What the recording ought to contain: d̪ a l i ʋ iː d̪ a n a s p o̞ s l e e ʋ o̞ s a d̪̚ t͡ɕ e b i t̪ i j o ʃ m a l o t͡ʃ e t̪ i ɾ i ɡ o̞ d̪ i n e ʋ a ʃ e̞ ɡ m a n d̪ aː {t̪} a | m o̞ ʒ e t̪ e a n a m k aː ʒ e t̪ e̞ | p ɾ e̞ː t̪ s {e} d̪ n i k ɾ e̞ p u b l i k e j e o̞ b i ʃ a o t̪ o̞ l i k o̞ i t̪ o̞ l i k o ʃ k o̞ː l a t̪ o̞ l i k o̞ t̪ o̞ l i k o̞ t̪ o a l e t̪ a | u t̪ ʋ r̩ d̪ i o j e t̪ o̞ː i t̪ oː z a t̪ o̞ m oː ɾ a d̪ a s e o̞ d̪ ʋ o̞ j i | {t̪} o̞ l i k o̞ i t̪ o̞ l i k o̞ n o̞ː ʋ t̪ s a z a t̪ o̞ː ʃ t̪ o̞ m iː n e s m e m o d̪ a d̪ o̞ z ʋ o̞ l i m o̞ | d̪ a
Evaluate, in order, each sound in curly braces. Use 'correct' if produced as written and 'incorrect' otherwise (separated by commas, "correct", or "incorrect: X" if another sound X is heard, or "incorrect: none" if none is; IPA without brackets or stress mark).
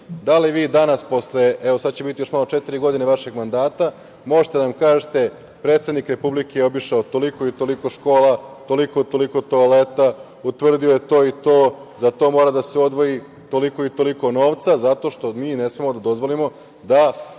correct, correct, correct